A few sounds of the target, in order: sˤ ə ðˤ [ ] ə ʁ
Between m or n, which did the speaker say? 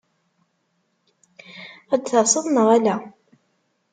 n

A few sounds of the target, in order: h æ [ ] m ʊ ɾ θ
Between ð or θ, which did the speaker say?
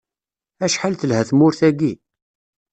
θ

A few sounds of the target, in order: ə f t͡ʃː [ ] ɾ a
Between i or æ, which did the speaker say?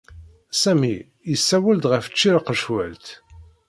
i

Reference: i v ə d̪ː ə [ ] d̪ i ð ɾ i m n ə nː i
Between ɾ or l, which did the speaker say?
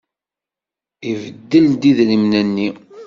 l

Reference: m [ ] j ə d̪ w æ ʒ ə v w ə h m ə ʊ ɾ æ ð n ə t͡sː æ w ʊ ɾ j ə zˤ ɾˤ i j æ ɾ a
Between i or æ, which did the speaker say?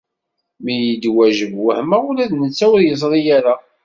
i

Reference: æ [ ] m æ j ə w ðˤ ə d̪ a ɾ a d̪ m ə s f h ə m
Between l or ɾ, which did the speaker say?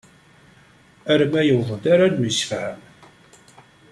ɾ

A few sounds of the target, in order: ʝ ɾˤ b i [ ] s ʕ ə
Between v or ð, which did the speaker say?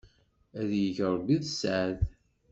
ð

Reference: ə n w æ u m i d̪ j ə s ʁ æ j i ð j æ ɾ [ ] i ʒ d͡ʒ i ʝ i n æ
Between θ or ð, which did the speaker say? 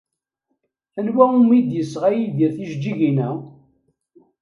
θ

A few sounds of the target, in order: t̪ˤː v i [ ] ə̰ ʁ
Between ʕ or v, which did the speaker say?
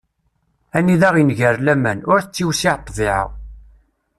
ʕ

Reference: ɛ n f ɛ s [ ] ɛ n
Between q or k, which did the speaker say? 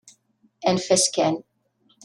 k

